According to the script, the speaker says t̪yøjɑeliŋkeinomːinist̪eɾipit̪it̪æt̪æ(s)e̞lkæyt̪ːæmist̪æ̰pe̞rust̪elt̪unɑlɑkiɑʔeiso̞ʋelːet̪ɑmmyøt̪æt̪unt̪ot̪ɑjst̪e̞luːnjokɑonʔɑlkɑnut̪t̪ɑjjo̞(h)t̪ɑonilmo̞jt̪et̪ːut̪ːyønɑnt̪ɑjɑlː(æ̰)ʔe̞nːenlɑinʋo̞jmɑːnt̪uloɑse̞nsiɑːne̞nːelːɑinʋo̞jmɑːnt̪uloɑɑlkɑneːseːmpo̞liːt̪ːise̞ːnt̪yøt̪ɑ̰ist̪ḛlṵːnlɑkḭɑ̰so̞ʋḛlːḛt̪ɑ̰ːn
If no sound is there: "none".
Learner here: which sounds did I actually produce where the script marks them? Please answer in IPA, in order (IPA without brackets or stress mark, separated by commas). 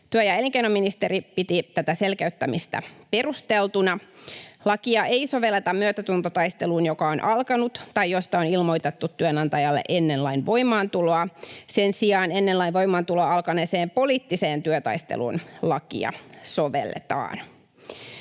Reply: s, s, ḛ